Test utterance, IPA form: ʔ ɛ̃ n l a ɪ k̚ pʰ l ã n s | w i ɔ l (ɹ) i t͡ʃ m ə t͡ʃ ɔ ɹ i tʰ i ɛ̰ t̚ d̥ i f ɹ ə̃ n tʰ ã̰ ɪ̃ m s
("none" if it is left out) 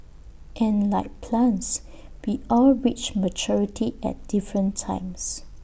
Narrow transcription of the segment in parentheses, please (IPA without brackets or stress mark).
ɹ